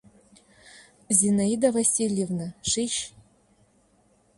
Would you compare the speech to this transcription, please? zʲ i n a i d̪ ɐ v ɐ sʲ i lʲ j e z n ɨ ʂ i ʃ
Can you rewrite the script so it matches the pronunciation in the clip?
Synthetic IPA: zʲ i n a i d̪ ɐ v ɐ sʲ i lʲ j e v n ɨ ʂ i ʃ

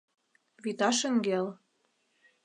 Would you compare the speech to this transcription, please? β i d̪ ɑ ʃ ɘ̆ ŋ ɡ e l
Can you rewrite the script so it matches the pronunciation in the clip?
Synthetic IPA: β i t̪ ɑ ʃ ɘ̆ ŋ ɡ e l

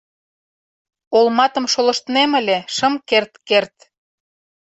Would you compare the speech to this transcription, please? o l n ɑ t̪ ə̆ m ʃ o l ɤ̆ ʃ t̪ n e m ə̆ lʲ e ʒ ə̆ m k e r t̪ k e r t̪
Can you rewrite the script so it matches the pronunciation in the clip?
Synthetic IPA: o l m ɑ t̪ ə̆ m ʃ o l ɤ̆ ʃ t̪ n e m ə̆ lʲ e ʃ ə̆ m k e r t̪ k e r t̪

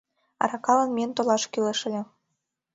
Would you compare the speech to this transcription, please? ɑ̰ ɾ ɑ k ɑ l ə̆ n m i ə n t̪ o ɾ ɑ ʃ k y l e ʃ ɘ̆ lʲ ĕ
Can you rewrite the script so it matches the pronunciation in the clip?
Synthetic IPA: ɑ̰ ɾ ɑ k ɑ l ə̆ n m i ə n t̪ o l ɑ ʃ k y l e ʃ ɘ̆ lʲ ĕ

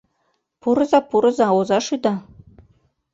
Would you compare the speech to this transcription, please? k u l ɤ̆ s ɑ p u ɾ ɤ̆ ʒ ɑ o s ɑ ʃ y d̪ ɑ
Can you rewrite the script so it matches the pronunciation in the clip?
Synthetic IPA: p u ɾ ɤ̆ z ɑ p u ɾ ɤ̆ z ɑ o z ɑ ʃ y d̪ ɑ

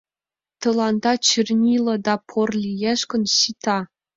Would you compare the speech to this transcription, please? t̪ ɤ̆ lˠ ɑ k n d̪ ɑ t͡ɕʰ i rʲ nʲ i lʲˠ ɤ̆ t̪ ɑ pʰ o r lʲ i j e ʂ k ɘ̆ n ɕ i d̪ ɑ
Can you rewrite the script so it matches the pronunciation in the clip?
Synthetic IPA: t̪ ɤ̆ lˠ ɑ n d̪ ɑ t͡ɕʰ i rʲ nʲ i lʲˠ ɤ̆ d̪ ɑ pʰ o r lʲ i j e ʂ k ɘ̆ n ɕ i t̪ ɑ

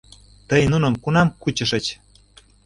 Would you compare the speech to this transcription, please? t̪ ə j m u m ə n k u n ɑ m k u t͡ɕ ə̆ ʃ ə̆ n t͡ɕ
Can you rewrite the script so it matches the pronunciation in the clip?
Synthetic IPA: t̪ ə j n u n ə m k u n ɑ m k u t͡ɕ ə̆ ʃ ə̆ t͡ɕ

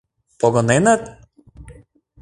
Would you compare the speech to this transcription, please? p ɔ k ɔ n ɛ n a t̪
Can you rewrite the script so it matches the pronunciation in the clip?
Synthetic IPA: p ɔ ɡ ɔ n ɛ n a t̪

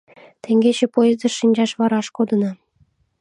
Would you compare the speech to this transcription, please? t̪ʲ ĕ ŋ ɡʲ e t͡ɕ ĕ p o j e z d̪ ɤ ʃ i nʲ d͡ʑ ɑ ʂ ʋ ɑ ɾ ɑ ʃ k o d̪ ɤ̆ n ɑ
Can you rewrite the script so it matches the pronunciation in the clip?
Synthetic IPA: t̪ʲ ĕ ŋ ɡʲ e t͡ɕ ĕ p o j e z d̪ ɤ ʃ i nʲ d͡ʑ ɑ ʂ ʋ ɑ ɾ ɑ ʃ k o d̪ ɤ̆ n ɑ

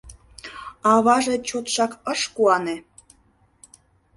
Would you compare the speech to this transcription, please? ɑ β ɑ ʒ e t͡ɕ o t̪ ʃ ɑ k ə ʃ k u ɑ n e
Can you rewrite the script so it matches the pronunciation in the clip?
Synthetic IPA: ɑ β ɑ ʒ e t͡ɕ o t̪ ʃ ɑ k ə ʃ k u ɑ n e

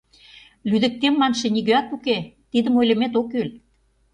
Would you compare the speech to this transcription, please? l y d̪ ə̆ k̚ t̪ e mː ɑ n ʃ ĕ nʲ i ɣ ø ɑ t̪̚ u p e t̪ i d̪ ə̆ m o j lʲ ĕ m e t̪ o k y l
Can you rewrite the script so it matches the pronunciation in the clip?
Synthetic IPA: l y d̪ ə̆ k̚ t̪ e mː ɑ n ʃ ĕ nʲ i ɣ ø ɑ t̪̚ u k e t̪ i d̪ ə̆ m o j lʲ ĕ m e t̪ o k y l

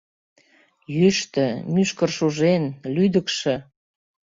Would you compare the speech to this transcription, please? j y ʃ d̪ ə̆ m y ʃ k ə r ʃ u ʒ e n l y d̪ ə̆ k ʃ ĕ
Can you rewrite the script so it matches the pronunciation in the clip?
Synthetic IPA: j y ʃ t̪ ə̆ m y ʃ k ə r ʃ u ʒ e n l y d̪ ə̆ k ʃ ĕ

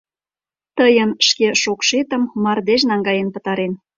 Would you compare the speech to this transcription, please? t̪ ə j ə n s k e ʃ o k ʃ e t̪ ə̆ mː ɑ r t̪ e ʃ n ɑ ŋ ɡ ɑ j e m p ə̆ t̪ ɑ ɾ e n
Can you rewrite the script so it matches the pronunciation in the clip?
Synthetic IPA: t̪ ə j ə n ʃ k e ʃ o k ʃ e t̪ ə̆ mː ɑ r d̪ e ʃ n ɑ ŋ ɡ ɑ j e n p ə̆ t̪ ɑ ɾ e n

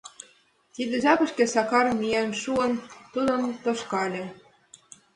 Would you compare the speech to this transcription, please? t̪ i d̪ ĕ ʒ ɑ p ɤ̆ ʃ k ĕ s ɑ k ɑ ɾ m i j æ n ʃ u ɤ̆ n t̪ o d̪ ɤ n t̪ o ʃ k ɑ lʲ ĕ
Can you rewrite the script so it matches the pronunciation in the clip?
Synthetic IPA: t̪ i d̪ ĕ ʒ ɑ p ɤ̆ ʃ k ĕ s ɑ k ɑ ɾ m i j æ n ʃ u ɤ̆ n t̪ u d̪ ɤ n t̪ o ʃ k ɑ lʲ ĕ

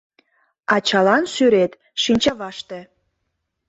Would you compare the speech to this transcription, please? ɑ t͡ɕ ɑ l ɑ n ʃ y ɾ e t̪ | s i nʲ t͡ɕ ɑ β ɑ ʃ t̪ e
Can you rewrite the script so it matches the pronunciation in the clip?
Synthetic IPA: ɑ t͡ɕ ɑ l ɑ n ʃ y ɾ e t̪ | ʃ i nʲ t͡ɕ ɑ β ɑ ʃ t̪ e

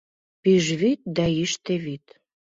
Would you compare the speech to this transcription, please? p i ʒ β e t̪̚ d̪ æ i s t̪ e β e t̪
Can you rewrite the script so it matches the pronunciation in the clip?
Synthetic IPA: p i ʒ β i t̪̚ d̪ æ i ʃ t̪ e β i t̪

